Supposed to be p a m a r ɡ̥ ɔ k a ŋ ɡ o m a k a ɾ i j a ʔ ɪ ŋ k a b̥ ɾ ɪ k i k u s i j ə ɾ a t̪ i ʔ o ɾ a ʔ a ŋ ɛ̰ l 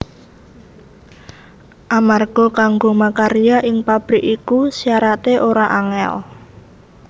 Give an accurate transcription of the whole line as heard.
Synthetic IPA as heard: ʔ a m a r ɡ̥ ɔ k a ŋ ɡ o m a k a ɾ i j a ʔ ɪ ŋ p a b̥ ɾ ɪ k i k u s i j a ɾ a t̪ e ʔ o ɾ a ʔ a ŋ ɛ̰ l